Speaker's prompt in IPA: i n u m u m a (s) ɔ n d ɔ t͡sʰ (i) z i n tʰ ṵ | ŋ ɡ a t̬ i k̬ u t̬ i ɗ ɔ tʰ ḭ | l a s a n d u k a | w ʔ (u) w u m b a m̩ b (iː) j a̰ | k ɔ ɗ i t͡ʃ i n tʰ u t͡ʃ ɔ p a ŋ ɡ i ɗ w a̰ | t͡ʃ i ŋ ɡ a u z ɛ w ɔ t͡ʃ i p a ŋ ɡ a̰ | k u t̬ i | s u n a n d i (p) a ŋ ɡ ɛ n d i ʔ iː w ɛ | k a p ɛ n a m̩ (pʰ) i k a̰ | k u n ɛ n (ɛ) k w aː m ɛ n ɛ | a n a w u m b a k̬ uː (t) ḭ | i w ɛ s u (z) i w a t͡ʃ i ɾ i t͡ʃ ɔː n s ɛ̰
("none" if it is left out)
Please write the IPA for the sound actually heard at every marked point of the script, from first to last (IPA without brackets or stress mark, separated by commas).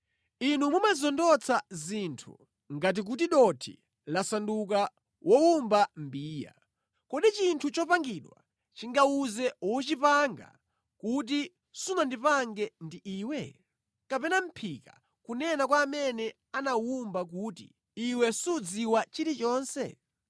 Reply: z, a, ɔ, iː, p, pʰ, a, t, d͡z